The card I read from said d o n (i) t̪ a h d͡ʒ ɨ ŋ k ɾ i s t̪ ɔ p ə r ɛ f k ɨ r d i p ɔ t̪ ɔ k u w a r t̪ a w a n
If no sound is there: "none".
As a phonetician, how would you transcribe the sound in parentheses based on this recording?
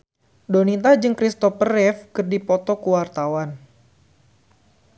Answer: i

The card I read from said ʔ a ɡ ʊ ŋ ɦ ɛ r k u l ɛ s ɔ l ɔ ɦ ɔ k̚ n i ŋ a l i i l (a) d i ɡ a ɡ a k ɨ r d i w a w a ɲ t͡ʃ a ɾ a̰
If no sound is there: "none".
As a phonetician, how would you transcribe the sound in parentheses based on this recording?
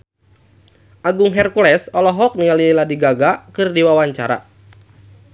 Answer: a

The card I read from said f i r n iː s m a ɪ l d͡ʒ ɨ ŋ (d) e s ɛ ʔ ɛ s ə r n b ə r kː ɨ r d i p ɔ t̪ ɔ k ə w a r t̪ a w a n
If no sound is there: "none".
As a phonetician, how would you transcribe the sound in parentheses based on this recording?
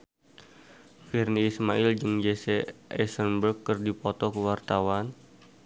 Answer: d͡ʒ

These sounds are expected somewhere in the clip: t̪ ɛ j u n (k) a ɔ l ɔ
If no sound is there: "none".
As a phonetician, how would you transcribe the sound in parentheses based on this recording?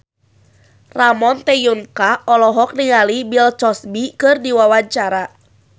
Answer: k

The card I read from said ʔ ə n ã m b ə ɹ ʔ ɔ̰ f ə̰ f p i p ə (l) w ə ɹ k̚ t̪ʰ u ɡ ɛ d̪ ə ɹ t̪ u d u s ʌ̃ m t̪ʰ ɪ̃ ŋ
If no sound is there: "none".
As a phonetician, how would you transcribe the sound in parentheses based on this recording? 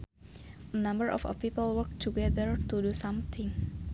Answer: l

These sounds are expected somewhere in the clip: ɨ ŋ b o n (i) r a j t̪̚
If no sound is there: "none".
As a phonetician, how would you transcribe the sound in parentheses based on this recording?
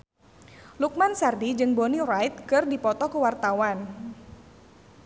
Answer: i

